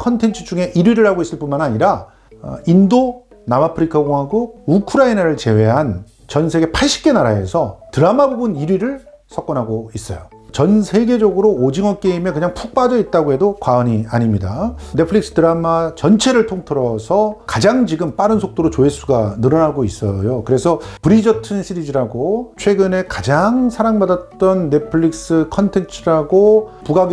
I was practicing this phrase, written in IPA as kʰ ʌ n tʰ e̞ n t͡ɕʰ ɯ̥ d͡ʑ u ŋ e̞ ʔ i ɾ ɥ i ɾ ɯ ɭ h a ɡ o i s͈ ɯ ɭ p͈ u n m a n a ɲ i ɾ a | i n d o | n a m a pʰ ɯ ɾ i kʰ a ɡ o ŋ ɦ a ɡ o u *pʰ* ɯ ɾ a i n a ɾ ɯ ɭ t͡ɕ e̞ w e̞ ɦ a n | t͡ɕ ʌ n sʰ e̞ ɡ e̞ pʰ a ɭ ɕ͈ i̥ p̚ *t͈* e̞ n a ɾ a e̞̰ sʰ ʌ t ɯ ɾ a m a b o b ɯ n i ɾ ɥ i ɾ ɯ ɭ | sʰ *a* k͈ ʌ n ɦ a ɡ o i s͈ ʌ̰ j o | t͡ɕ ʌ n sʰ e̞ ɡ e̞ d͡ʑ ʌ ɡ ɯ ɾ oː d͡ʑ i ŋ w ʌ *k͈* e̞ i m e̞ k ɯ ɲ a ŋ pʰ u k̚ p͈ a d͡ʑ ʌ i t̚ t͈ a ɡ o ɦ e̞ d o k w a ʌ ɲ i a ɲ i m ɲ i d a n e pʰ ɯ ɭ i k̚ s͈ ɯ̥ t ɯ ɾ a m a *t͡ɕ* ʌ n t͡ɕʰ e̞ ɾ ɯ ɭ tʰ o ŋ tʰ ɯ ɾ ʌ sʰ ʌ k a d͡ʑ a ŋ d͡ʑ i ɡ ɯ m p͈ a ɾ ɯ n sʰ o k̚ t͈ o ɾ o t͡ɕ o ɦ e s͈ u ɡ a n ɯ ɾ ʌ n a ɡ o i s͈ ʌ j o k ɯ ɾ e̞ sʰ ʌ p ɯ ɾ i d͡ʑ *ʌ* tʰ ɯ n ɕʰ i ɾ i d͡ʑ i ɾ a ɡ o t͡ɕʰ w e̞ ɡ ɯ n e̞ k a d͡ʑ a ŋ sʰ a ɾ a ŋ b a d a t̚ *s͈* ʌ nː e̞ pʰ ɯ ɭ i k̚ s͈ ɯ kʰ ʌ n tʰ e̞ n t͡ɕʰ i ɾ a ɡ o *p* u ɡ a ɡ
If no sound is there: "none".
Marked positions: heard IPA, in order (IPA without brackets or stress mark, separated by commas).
kʰ, k͈, ʌ, k͈, t͡ɕ, ʌ, t͈, p